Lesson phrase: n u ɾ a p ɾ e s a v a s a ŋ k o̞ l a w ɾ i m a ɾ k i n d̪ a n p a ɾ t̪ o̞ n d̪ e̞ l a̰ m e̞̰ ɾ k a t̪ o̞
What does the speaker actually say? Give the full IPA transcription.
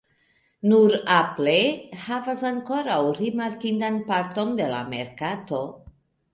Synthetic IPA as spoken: n u ɾ a p l e h a v a s a ŋ k o̞ ɾ a w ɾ i m a ɾ k i n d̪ a n p a ɾ t̪ o̞ n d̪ e̞ l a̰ m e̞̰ ɾ k a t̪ o̞